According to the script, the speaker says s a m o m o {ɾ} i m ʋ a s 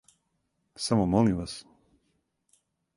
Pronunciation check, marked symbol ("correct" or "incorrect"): incorrect